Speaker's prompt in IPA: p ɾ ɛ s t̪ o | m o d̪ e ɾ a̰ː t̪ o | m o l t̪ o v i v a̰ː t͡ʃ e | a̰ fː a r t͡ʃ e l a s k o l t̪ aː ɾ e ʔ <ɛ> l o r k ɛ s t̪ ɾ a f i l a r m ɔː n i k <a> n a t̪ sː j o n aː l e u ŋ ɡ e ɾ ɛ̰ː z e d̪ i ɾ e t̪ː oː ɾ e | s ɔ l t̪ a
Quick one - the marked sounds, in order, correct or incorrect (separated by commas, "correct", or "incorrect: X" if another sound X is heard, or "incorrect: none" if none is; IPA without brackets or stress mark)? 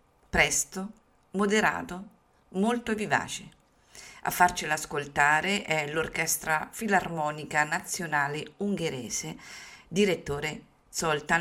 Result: correct, correct